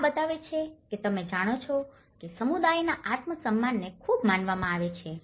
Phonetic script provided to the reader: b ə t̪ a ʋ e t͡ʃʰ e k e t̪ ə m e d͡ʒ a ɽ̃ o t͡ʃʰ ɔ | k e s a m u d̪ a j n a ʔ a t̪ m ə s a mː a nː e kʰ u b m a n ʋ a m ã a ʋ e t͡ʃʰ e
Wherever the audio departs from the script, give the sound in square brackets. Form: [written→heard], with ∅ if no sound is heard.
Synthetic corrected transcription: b ə t̪ a ʋ e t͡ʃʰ e k e t̪ ə m e d͡ʒ a ɽ̃ o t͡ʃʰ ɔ | k e s [a→ə] m u d̪ a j n a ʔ a t̪ m ə s [a→ə] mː a nː e kʰ u b m a n ʋ a m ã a ʋ e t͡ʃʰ e